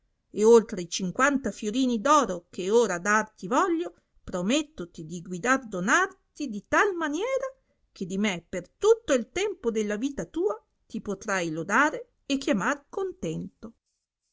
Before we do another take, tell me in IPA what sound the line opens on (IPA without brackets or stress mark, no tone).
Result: e